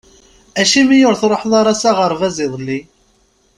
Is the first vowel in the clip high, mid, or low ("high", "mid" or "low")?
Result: low